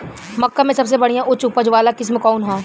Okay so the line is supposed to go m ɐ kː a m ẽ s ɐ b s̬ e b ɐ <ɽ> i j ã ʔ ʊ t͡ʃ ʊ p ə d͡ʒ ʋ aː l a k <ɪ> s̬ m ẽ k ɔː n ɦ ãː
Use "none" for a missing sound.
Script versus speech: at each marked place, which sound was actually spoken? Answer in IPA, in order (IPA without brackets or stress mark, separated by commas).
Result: ɽ, ɪ